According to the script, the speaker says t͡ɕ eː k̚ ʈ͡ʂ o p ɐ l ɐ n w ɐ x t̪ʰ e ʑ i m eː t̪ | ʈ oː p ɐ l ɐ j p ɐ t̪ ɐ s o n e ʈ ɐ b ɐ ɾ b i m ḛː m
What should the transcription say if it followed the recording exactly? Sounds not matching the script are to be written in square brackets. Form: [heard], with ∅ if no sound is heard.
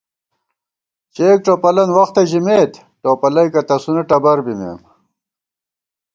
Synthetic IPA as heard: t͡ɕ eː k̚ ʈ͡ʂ o p ɐ l ɐ n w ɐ x [t̪] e ʑ i m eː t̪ | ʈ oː p ɐ l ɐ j [k] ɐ t̪ ɐ s [u] n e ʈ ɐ b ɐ ɾ b i m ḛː m